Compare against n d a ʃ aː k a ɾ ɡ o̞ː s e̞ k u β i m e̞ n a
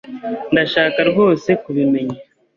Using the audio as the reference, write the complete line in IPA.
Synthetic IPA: n d a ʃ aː k a ɾ ɡ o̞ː s e̞ k u β i m e̞ ɲ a